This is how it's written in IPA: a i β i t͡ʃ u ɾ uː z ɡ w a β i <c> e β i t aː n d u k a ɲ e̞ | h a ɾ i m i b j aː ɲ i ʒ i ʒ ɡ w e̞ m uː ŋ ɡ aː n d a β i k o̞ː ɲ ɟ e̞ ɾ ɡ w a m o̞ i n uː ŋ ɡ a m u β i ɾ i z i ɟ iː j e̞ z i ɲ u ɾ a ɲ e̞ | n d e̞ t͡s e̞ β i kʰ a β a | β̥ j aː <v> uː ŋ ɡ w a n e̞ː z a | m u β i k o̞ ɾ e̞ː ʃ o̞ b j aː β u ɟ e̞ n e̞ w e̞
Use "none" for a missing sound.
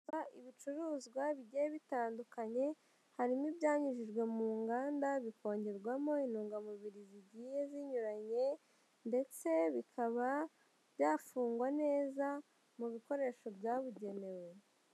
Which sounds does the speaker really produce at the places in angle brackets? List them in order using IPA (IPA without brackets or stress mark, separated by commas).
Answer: ɟ, f